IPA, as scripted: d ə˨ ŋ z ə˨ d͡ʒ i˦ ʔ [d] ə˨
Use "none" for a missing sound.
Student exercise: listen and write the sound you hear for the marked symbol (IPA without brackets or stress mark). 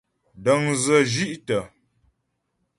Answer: t